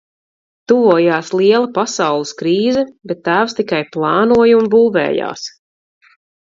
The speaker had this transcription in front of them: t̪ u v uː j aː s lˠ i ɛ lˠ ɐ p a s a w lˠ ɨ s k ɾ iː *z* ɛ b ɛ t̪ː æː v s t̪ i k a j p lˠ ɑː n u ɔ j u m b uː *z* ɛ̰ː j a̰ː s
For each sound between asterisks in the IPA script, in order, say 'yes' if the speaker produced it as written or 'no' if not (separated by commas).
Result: yes, no